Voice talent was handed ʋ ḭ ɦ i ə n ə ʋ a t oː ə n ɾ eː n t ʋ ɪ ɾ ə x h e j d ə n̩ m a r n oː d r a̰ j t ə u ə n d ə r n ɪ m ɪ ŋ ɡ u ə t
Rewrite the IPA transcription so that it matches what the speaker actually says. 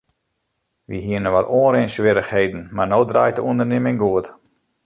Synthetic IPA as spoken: ʋ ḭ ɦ i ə n ə ʋ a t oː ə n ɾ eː n s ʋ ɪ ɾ ə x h e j d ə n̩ m a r n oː d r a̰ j t ə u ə n d ə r n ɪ m ɪ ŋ ɡ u ə t